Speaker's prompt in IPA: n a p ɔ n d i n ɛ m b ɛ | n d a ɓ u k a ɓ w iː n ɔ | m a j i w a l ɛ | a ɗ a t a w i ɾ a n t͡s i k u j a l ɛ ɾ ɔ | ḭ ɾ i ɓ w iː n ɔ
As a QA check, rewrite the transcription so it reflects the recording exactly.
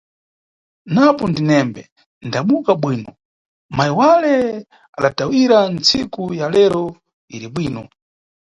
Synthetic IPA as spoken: n a p ɔ n d i n ɛ m b ɛ | n d a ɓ u k a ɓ w iː n ɔ | m a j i w a l ɛ | a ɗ a t a w i ɾ a n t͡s i k u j a l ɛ ɾ ɔ | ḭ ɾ i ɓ w iː n ɔ